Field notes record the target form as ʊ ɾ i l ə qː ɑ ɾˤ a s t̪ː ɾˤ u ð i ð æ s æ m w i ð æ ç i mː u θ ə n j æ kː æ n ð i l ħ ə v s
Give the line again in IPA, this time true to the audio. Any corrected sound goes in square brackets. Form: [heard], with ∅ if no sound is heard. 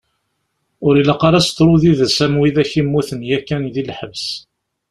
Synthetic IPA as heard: ʊ ɾ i l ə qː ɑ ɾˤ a s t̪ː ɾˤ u ð i ð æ s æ m w i ð æ ç i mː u θ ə n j æ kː æ n ð i l ħ ə v s